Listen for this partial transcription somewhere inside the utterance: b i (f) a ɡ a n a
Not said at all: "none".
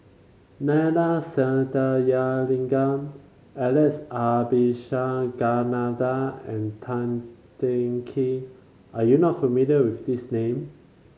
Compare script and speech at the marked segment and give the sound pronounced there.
ʃ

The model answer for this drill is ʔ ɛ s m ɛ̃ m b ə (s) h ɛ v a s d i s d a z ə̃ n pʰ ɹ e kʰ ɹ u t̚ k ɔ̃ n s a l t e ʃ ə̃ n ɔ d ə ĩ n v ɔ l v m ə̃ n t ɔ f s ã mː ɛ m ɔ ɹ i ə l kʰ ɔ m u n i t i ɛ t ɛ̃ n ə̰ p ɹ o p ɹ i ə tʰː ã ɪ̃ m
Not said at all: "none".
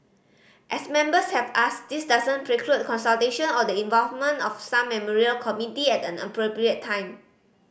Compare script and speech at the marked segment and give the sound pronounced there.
s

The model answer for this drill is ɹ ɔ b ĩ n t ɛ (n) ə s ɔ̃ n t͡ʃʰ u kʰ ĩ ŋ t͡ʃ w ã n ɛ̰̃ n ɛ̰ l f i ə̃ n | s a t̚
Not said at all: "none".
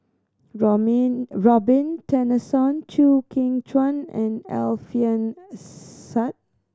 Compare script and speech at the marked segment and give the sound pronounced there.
n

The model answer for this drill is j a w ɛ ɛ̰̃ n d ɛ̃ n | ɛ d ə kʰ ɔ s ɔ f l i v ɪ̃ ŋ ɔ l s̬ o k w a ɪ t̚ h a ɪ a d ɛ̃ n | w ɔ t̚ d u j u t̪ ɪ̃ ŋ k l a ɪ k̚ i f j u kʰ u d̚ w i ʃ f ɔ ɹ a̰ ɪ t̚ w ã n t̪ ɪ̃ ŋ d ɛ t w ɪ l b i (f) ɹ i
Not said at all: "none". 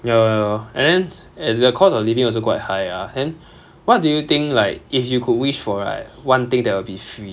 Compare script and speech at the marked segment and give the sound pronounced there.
f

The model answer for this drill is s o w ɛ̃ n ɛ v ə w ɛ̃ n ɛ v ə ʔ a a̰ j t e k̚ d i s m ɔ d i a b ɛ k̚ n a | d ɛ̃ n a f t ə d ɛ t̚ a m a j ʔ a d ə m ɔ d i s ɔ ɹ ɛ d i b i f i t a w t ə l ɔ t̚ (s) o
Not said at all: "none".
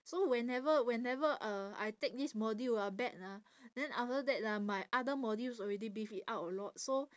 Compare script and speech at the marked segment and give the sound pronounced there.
s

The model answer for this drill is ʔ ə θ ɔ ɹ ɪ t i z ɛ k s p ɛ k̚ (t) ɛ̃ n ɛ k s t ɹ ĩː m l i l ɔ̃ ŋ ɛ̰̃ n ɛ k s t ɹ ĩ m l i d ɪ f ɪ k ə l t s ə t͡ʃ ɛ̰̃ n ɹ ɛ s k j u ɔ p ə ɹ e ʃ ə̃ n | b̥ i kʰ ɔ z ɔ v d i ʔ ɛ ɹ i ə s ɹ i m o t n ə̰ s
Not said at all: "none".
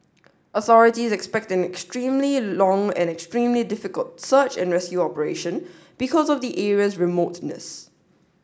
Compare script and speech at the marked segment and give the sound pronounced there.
t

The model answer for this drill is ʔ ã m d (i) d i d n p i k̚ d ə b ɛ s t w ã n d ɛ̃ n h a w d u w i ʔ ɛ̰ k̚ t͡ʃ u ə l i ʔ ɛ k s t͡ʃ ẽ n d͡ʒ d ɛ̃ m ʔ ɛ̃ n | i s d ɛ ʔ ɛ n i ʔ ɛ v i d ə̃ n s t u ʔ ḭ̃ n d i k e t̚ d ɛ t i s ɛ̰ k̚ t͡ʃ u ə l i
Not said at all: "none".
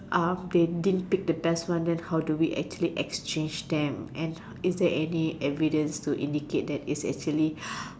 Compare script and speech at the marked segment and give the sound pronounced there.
e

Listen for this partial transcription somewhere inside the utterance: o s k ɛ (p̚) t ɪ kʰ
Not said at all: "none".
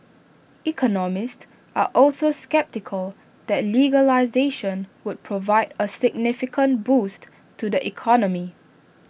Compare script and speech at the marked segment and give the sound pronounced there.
p̚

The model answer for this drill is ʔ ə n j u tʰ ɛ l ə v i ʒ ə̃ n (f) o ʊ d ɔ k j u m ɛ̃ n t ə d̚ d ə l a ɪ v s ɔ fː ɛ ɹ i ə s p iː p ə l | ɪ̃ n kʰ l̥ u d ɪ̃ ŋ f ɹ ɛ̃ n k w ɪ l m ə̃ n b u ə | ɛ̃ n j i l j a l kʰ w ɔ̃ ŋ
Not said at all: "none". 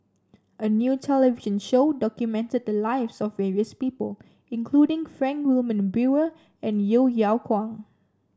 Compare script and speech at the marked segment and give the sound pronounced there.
ʃ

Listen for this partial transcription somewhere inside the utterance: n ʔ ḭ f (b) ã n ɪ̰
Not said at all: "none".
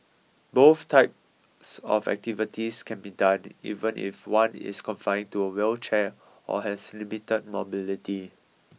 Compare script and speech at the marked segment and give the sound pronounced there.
w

